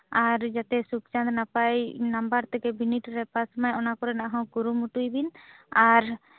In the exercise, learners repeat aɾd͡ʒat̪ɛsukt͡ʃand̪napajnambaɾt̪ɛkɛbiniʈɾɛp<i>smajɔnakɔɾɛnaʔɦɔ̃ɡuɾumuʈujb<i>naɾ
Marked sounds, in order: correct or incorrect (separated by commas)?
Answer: incorrect, correct